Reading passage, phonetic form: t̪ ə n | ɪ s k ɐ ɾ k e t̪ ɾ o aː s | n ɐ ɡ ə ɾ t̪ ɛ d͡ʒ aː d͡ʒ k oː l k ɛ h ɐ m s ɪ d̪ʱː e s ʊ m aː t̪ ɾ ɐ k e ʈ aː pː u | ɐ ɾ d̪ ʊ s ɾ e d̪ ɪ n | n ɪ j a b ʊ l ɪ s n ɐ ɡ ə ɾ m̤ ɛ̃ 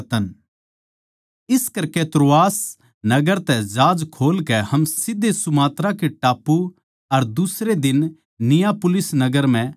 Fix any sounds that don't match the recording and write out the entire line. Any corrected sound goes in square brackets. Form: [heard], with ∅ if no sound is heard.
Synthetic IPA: t̪ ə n | ɪ s k ɐ ɾ k e t̪ ɾ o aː s | n ɐ ɡ ə ɾ t̪ ɛ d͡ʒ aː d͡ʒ [kʰ] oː l k ɛ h ɐ m s ɪ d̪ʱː e s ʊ m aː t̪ ɾ [a] k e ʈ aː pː u | ɐ ɾ d̪ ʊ s ɾ e d̪ ɪ n | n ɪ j a [p] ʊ l ɪ s n ɐ ɡ ə ɾ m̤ ɛ̃